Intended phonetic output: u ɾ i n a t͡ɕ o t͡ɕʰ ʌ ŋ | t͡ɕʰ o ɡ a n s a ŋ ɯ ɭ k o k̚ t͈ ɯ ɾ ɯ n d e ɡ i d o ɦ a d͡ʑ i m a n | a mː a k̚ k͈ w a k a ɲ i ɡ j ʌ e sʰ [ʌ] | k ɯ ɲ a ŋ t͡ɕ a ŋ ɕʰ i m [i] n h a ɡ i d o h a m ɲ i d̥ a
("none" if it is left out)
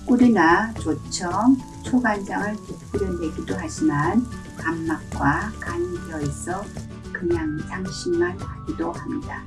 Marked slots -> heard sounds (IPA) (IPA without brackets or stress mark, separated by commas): ʌ, a